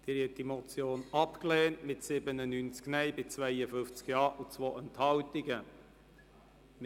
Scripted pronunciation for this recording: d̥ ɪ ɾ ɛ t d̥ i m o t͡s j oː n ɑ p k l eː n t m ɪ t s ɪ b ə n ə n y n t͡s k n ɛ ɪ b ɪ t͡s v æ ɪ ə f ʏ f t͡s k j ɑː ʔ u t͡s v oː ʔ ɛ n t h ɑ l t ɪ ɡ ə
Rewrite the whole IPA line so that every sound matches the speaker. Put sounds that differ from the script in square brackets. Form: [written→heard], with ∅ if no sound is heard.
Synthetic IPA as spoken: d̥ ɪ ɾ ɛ t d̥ i m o t͡s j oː n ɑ p k l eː n t m ɪ t s ɪ b ə n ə n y n t͡s k n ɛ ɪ b ɪ t͡s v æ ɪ ə f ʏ f t͡s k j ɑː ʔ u t͡s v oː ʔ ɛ n t h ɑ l t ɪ ɡ ə